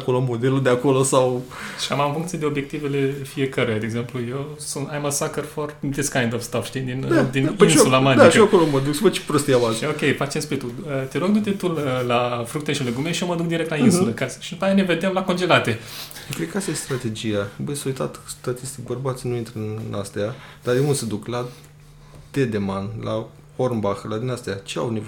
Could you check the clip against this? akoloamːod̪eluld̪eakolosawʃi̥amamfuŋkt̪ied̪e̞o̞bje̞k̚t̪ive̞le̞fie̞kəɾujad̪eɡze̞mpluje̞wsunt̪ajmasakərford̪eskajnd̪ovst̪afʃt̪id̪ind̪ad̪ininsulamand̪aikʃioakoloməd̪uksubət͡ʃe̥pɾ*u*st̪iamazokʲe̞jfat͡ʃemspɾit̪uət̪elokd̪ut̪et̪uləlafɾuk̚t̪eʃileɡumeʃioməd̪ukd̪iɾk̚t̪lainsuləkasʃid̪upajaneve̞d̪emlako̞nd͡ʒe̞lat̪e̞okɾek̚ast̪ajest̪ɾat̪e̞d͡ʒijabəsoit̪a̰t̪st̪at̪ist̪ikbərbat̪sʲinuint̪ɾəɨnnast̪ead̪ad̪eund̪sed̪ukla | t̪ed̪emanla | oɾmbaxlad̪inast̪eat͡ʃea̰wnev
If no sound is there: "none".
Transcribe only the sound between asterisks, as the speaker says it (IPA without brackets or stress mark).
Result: o